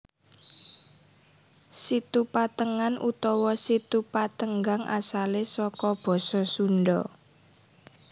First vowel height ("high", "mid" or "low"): high